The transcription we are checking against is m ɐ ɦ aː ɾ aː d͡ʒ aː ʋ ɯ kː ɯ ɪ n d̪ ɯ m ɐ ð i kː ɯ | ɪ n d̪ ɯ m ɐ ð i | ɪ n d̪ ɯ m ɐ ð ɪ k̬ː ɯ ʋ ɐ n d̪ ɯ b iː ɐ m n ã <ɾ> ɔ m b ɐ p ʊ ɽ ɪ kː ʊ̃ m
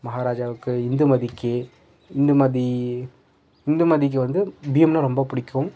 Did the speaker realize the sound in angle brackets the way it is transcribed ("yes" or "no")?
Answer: yes